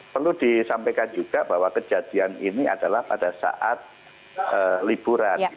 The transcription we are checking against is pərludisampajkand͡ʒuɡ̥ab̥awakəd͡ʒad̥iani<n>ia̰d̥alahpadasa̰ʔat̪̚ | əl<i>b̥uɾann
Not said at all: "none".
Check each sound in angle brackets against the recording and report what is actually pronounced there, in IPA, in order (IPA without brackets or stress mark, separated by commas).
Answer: n, i